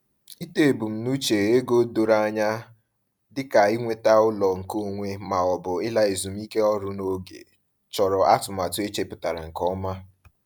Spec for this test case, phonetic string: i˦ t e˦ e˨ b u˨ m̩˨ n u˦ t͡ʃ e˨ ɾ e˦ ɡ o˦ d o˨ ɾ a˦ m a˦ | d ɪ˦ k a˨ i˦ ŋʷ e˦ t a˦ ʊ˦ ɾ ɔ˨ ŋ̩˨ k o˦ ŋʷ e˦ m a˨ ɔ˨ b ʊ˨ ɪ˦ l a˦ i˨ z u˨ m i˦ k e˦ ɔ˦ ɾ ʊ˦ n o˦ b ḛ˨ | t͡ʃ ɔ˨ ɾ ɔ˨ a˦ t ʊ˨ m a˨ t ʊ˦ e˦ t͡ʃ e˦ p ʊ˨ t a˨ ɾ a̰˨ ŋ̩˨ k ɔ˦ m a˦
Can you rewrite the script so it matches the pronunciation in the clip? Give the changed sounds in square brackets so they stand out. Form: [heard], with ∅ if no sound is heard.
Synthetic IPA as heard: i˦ t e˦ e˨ b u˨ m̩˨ n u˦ t͡ʃ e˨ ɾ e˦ ɡ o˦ d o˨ ɾ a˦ [ɲ] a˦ | d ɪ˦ k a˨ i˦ ŋʷ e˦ t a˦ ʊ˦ [l] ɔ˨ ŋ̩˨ k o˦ ŋʷ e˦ m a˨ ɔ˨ b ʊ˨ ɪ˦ l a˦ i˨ z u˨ m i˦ k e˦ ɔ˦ ɾ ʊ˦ n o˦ [ɡ] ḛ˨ | t͡ʃ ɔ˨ ɾ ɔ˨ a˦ t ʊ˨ m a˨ t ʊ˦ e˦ t͡ʃ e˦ p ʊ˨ t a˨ ɾ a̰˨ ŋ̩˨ k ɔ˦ m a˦